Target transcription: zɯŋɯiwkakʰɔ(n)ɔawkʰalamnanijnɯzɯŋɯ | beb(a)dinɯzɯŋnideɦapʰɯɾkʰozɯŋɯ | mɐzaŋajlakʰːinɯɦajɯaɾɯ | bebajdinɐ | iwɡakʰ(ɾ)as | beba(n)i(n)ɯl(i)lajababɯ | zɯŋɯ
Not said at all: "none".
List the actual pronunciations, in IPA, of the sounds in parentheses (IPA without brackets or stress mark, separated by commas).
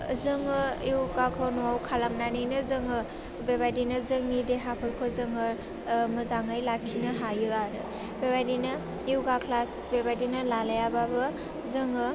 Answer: n, a, l, d, n, a